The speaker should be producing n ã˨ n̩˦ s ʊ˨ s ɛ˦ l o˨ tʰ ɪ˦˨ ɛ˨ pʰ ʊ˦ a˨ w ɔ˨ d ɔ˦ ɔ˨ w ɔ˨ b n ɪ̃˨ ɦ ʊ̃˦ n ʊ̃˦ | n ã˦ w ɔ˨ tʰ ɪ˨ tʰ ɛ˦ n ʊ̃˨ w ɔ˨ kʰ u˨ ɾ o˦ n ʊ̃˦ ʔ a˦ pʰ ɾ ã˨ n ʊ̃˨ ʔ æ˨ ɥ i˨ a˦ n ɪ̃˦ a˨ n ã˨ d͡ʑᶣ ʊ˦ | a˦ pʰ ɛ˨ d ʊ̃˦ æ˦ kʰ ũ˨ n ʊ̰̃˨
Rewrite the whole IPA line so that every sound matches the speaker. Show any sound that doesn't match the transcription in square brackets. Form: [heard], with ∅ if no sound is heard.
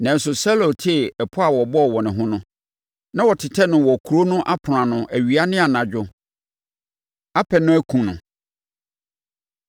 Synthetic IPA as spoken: n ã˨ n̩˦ s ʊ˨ s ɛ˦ l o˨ tʰ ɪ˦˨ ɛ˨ pʰ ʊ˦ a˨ w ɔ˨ [b] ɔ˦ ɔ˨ w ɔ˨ [∅] n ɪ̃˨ ɦ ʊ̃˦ n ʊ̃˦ | n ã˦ w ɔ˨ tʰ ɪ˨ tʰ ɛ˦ n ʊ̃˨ w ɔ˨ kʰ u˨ ɾ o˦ n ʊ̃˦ ʔ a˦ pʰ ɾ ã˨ n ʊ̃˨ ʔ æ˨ ɥ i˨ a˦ n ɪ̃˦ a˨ n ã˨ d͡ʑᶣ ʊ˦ | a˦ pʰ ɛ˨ [n] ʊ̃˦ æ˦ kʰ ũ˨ n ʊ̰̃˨

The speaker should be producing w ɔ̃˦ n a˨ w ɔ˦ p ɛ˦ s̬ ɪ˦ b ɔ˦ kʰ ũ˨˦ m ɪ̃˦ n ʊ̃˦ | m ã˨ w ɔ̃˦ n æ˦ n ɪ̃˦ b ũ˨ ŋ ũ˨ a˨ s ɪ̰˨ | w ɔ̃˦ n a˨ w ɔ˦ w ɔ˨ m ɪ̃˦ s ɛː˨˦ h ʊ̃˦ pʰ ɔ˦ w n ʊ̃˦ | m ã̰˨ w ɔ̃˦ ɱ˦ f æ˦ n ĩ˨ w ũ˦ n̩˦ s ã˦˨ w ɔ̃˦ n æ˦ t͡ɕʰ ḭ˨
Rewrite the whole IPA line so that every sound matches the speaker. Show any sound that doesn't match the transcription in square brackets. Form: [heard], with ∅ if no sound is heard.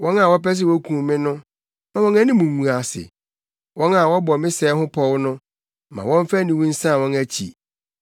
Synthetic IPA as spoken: w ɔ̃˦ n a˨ w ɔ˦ p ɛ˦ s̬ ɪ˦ [w] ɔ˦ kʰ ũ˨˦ m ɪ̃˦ n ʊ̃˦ | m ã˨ w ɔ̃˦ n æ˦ n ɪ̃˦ [m] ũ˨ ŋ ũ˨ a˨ s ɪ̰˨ | w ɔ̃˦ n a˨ w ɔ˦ [b] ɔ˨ m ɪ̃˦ s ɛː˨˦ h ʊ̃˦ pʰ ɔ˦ w n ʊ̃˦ | m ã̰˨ w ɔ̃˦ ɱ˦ f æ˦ n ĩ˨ w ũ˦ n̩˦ s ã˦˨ w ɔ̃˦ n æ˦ t͡ɕʰ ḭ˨

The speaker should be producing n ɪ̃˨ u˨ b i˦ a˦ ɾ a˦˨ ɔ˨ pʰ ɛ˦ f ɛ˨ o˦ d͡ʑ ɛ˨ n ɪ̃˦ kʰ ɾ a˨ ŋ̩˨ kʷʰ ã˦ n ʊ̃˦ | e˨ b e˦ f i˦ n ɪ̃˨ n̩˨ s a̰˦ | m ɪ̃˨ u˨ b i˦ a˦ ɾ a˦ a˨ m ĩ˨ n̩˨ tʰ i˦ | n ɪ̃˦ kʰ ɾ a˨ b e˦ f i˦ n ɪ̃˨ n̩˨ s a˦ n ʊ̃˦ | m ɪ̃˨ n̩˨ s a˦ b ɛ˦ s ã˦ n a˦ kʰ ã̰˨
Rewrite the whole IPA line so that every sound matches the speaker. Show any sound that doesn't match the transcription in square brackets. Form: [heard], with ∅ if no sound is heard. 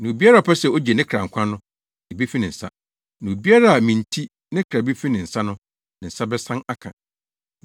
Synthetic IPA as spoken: n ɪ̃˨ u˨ b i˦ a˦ ɾ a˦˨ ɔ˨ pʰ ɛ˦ [s] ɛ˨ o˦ d͡ʑ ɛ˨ n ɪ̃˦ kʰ ɾ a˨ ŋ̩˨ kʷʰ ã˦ n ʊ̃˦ | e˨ b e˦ f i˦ n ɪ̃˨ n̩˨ s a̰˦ | [n] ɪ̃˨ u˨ b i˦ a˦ ɾ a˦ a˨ m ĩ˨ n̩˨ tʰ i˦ | n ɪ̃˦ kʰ ɾ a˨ b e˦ f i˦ n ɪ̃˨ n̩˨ s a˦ n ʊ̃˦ | [n] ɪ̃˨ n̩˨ s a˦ b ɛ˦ s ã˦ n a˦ kʰ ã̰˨

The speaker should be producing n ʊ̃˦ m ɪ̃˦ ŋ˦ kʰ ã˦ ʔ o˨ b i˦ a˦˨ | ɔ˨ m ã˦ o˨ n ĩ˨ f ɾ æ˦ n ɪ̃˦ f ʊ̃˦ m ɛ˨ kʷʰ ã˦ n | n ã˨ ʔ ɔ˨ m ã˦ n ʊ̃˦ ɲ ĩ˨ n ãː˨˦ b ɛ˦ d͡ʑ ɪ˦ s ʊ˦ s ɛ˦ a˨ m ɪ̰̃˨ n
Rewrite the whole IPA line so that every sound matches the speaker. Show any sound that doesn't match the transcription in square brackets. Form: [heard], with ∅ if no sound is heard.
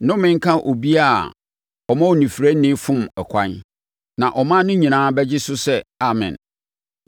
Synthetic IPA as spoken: n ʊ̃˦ m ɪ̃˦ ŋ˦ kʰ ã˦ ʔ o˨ b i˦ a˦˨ | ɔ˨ m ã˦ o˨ n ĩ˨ f ɾ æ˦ n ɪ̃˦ f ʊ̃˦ m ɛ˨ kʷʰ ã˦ n | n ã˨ ʔ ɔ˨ m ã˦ n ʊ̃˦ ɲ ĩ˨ n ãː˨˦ b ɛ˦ d͡ʑ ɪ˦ s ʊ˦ s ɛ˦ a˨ m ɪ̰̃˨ n

